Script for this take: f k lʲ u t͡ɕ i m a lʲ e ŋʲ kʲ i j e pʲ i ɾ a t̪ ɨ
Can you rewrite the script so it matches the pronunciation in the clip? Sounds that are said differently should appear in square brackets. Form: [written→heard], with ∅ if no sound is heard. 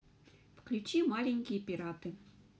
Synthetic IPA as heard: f k lʲ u t͡ɕ i m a lʲ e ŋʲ kʲ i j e pʲ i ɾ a t̪ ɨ